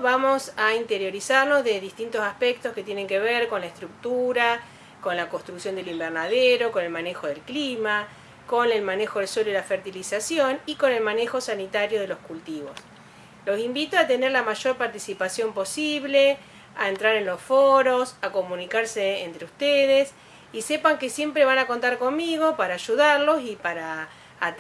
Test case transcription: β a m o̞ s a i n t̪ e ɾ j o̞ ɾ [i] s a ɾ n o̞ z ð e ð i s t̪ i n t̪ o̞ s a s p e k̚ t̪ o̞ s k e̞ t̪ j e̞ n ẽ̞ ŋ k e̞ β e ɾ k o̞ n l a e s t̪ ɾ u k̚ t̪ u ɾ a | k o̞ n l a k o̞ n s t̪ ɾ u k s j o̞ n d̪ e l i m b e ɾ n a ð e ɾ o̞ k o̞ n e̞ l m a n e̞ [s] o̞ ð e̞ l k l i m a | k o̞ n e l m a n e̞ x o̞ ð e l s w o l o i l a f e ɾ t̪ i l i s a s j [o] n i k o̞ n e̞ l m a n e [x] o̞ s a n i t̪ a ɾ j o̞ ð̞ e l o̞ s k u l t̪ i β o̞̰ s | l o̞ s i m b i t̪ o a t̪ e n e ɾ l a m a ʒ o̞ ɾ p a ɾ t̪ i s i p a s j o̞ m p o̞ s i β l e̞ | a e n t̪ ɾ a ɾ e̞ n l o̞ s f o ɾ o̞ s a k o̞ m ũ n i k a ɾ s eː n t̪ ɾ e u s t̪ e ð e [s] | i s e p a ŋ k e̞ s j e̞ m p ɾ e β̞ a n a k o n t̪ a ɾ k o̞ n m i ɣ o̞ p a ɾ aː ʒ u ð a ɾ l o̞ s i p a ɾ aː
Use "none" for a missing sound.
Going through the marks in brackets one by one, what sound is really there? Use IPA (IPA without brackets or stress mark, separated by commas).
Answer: i, x, o, x, s